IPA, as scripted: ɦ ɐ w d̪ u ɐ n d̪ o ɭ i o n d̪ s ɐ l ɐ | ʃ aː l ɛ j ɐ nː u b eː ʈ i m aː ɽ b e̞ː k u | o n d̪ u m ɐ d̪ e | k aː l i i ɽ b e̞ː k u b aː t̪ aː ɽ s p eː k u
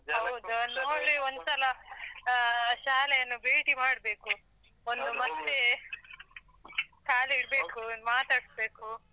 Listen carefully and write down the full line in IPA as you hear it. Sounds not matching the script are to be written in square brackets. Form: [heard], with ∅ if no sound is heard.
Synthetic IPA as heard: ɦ ɐ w d̪ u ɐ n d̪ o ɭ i o n d̪ s ɐ l ɐ | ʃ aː l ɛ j ɐ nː u b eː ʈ i m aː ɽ b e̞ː k u | o n d̪ u m ɐ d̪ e | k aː l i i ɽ b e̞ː k u [m] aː t̪ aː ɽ s [b] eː k u